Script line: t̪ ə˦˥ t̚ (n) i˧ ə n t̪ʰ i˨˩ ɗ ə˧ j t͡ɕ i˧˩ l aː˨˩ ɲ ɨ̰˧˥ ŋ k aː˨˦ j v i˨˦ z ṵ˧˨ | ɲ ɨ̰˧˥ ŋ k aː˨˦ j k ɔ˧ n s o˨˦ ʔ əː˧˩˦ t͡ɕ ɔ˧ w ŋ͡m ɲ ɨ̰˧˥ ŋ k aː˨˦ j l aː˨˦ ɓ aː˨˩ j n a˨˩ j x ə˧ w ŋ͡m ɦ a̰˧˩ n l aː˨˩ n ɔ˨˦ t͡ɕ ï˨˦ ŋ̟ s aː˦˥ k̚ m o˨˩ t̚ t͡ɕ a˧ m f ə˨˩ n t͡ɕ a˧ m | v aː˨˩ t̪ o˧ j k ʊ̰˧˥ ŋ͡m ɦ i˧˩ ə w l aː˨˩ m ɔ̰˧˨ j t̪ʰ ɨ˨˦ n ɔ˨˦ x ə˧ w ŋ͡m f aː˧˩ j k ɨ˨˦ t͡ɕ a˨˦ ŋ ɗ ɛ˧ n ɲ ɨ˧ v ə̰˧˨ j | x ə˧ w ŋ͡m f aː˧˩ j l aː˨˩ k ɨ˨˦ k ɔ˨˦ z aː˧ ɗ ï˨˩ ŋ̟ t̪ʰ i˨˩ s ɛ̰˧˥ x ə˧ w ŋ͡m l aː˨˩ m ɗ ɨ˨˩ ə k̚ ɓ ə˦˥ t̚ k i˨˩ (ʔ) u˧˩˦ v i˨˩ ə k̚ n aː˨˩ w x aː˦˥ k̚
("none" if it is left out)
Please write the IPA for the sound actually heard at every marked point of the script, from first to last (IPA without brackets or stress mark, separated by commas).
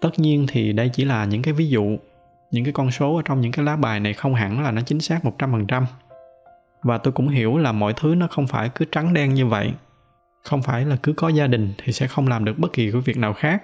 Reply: ɲ, k